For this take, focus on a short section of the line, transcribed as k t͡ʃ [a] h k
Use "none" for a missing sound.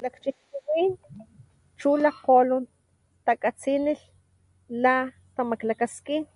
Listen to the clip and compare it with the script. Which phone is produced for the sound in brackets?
i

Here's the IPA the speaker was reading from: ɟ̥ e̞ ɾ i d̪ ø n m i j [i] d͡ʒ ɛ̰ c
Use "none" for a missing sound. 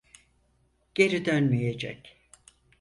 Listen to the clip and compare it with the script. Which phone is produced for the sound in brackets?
e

